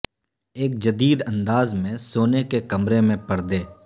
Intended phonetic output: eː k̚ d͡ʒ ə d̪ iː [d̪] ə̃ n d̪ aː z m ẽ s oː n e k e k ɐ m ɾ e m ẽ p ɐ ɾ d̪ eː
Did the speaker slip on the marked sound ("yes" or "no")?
no